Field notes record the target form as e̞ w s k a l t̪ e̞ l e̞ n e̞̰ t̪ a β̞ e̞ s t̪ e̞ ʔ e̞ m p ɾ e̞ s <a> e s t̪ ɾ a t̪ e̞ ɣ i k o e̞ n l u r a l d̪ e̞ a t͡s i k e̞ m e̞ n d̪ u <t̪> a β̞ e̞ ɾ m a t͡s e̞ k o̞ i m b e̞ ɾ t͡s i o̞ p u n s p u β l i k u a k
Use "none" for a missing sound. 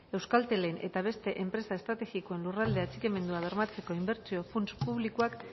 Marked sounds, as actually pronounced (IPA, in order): a, none

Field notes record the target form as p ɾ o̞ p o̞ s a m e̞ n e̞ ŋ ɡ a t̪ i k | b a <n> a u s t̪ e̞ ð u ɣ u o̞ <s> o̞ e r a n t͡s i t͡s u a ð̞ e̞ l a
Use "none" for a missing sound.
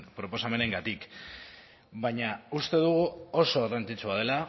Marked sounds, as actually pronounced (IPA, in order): ɲ, s

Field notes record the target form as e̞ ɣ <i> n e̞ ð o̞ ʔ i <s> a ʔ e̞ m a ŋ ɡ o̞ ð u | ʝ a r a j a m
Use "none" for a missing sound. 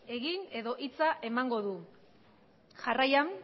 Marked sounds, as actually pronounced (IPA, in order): i, t͡s

